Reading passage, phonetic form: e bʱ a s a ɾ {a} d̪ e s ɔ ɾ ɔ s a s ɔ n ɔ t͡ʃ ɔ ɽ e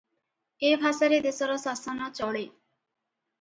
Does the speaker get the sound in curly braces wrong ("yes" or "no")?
yes